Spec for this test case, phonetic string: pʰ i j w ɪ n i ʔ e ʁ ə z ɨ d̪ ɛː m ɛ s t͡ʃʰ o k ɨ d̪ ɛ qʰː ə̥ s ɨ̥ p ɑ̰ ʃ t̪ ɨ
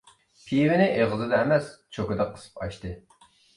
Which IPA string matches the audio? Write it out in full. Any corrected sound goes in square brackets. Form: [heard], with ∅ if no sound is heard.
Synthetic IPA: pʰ i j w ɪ n [ɪ] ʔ e ʁ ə z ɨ d̪ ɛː m ɛ s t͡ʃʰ o k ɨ d̪ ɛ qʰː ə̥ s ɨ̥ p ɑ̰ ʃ t̪ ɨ

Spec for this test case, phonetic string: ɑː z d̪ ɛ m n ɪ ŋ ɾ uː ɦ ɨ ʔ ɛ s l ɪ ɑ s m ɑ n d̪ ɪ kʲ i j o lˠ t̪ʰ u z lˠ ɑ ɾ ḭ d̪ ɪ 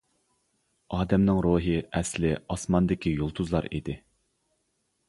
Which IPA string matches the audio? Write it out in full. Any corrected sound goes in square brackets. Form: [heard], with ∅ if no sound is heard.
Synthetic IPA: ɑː [∅] d̪ ɛ m n ɪ ŋ ɾ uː ɦ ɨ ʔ ɛ s l ɪ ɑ s m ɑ n d̪ ɪ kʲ i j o lˠ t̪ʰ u z lˠ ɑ ɾ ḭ d̪ ɪ

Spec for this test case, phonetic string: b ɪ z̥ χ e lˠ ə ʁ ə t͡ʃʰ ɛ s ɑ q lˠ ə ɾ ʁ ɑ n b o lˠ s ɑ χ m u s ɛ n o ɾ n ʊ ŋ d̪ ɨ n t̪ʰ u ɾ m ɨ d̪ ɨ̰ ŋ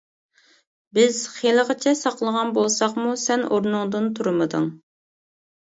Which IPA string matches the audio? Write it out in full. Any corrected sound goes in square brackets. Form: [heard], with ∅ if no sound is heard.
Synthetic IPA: b ɪ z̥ χ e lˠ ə ʁ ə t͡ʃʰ ɛ s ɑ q lˠ ə [∅] ʁ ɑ n b o lˠ s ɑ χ m u s ɛ n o ɾ n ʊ ŋ d̪ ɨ n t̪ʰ u ɾ m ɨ d̪ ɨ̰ ŋ

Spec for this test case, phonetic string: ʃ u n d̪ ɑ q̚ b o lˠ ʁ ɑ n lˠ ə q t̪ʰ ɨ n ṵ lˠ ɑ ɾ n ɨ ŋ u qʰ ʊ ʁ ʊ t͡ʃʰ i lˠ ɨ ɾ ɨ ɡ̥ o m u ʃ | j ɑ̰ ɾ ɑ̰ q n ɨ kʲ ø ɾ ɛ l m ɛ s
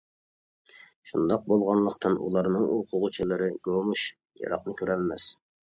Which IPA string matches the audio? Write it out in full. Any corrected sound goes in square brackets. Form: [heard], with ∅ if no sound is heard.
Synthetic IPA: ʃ u n d̪ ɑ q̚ b o lˠ ʁ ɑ n lˠ ə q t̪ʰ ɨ n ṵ lˠ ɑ ɾ n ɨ ŋ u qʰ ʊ ʁ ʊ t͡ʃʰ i lˠ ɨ ɾ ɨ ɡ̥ o m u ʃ | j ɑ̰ ɾ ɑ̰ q n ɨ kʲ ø ɾ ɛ l m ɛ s

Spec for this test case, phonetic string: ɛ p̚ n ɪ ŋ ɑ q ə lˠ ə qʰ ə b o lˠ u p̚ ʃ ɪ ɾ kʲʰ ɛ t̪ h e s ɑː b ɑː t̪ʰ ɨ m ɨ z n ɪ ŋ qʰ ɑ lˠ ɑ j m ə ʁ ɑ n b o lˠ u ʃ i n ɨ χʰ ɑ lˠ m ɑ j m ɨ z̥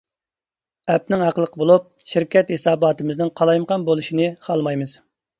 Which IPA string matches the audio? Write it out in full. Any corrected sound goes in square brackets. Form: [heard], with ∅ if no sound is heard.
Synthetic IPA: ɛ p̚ n ɪ ŋ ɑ q ə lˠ ə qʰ ə b o lˠ u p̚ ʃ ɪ ɾ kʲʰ ɛ t̪ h e s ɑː b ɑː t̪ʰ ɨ m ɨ z n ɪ ŋ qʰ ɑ lˠ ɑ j m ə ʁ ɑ n b o lˠ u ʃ i n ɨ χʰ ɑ lˠ m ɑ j m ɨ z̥

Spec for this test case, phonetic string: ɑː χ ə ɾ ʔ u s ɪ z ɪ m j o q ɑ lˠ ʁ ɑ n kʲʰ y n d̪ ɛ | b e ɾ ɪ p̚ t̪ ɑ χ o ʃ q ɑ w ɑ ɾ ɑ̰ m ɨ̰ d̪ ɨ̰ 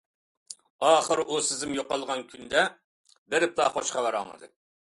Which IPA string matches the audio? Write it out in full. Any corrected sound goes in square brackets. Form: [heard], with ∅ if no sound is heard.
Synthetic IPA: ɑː χ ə ɾ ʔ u s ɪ z ɪ m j o q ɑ lˠ ʁ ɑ n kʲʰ y n d̪ ɛ | b e ɾ ɪ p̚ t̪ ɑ χ o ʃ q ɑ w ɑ ɾ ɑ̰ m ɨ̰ d̪ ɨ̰

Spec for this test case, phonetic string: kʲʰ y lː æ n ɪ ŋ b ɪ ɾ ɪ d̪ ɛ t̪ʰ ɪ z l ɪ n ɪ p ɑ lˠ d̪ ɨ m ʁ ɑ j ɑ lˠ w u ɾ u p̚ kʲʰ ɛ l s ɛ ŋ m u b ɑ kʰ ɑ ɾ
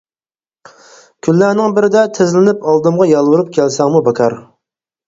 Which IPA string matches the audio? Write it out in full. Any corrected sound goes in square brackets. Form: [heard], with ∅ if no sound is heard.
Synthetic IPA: kʲʰ y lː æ n ɪ ŋ b ɪ ɾ ɪ d̪ ɛ t̪ʰ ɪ z l ɪ n ɪ p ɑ lˠ d̪ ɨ m ʁ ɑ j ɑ lˠ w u ɾ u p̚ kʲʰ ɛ l s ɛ ŋ m u b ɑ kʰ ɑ ɾ

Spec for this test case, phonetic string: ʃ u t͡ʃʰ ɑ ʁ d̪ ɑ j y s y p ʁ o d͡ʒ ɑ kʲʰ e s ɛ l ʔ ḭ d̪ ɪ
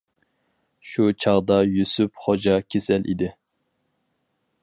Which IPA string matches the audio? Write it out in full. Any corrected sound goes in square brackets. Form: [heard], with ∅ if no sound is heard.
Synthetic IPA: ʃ u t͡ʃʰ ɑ ʁ d̪ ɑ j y s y p [χ] o d͡ʒ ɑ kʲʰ e s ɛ l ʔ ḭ d̪ ɪ

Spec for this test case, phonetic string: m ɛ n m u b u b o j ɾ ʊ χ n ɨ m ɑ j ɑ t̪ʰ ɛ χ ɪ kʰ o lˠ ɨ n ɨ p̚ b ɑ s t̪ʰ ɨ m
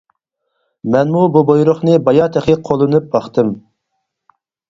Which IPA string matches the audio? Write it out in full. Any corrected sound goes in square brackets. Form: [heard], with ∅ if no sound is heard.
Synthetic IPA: m ɛ n m u b u b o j ɾ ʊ χ n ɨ [b] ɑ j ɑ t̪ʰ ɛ χ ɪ [qʰ] o lˠ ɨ n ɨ p̚ b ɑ [χ] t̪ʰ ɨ m

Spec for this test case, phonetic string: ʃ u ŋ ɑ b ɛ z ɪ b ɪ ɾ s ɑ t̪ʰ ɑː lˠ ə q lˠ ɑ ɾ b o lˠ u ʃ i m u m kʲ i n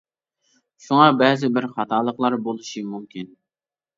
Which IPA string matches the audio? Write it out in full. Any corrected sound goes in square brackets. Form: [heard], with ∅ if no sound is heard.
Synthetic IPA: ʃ u ŋ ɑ b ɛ z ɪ b ɪ ɾ [χ] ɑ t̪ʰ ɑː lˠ ə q lˠ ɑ ɾ b o lˠ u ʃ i m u m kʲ i n

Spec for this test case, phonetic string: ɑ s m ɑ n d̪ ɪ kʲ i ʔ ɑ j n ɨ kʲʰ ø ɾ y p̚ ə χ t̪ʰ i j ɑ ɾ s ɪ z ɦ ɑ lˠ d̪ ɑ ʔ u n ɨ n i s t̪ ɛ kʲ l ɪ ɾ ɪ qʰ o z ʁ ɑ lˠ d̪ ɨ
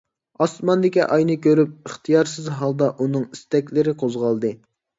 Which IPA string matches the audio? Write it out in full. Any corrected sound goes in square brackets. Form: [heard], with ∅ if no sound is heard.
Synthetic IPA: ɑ s m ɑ n d̪ ɪ kʲ i ʔ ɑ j n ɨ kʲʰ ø ɾ y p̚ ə χ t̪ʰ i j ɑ ɾ s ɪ z ɦ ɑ lˠ d̪ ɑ ʔ u n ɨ [ŋ] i s t̪ ɛ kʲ l ɪ ɾ ɪ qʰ o z ʁ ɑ lˠ d̪ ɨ

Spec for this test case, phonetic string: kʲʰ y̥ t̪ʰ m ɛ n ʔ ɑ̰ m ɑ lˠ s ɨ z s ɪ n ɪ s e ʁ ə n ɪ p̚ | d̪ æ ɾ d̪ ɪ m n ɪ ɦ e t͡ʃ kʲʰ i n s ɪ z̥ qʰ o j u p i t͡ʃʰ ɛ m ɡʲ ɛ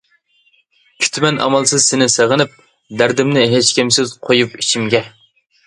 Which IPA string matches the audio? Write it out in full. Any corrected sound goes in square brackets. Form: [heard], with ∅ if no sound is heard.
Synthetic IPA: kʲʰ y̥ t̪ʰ m ɛ n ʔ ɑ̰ m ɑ lˠ s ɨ z s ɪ n ɪ s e ʁ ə n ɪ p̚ | d̪ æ ɾ d̪ ɪ m n ɪ ɦ e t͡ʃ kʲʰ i [m] s ɪ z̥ qʰ o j u p i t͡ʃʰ [i] m ɡʲ ɛ

